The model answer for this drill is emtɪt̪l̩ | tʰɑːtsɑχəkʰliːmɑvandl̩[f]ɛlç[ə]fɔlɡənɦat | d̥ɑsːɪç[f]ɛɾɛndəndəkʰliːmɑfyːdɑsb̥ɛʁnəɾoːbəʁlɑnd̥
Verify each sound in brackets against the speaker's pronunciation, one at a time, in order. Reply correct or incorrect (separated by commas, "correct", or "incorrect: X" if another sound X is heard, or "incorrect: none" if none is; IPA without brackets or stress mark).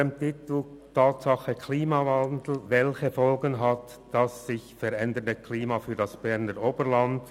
incorrect: v, correct, correct